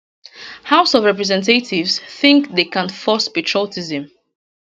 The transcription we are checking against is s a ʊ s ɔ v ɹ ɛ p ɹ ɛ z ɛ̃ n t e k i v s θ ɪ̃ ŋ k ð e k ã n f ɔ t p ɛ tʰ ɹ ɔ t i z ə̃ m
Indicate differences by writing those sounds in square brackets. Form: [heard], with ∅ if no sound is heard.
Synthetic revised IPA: [h] a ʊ s ɔ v ɹ ɛ p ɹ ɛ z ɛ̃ n t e [t] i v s θ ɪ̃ ŋ k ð e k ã n f ɔ [s] p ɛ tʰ ɹ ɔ t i z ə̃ m